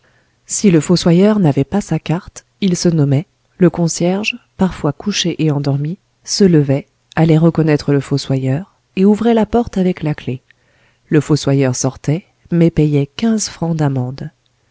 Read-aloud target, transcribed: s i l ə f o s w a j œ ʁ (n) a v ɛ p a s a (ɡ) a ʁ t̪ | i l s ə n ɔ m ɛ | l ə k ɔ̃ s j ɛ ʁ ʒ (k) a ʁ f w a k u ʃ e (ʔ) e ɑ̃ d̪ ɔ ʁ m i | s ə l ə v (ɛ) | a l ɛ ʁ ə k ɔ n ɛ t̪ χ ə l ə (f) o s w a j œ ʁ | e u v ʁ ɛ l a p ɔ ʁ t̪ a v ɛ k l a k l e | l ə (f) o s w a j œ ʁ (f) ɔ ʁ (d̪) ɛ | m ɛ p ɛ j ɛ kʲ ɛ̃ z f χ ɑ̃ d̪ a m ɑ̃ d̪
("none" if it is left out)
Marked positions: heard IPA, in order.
n, k, p, ʔ, ɛ, f, f, s, t̪

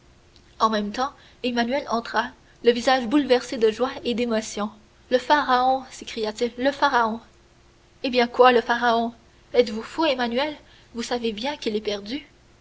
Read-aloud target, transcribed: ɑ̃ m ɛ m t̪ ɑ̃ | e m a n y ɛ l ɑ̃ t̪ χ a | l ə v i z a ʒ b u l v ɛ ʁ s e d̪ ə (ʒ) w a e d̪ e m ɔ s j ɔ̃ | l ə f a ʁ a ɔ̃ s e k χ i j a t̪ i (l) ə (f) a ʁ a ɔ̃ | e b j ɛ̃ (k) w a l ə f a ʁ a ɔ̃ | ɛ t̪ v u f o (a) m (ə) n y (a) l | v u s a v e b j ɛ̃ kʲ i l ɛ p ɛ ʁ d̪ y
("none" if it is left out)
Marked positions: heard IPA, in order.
ʒ, lː, f, k, e, a, ɛ

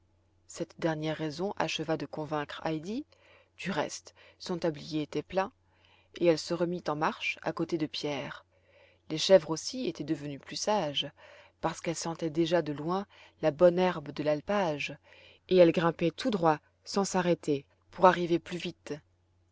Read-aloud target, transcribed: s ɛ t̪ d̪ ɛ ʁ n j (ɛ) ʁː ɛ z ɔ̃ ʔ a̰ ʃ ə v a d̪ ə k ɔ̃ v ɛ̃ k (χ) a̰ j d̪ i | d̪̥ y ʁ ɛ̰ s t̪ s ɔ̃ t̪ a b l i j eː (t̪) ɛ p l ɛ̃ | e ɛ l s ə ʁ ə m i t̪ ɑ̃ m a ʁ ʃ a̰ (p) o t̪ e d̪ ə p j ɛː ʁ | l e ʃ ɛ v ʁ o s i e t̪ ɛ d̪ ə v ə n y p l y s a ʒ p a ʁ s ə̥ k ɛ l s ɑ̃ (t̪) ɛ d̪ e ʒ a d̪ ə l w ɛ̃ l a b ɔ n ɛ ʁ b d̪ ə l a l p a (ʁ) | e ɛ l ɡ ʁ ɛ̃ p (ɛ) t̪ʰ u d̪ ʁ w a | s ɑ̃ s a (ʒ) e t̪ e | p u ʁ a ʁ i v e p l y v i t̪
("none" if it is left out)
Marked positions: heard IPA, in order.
ɛ, χ, t̪, k, t̪, ʒ, ɛ, ʁ

